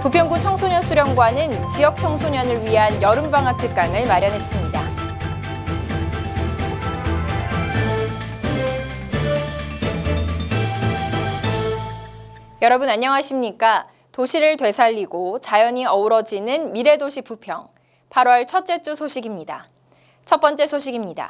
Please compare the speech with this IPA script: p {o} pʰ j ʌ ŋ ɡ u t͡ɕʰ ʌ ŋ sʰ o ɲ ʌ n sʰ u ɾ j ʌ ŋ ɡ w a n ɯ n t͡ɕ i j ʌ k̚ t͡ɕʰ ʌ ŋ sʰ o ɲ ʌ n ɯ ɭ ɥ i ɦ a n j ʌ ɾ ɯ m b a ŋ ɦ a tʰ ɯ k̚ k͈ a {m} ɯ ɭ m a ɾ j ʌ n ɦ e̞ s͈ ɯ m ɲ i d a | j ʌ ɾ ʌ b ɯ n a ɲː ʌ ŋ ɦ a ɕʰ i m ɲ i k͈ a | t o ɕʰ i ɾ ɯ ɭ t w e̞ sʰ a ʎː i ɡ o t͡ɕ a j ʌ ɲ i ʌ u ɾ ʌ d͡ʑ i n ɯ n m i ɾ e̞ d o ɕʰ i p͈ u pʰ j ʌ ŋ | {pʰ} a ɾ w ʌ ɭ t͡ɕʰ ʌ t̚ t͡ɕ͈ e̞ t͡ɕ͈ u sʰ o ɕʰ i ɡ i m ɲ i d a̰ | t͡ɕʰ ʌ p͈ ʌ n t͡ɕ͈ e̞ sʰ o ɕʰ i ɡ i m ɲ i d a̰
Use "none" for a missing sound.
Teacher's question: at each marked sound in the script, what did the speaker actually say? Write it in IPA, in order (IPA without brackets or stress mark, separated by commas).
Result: u, ŋ, pʰ